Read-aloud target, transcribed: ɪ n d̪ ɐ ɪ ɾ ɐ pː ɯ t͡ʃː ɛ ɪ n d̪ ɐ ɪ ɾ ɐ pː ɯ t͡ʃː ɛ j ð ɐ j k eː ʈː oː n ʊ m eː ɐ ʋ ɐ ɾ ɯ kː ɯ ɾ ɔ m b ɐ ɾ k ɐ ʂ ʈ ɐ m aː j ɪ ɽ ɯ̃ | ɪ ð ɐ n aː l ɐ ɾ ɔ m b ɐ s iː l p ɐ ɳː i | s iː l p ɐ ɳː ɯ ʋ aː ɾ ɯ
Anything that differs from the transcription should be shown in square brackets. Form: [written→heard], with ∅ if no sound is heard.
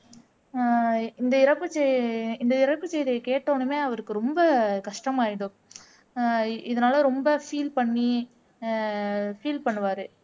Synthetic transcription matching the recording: ɪ n d̪ ɐ ɪ ɾ ɐ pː ɯ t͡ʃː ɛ ɪ n d̪ ɐ ɪ ɾ ɐ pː ɯ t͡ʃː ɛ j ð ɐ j k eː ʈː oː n [ʊ→ɯ] m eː ɐ ʋ ɐ ɾ ɯ kː ɯ ɾ ɔ m b ɐ [ɾ→∅] k ɐ ʂ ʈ ɐ m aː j ɪ ɽ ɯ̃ | ɪ ð ɐ n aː l ɐ ɾ ɔ m b ɐ [s→f] iː l p ɐ ɳː i | [s→f] iː l p ɐ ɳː ɯ ʋ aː ɾ ɯ